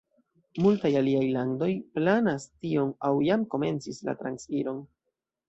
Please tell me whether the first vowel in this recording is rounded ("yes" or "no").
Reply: yes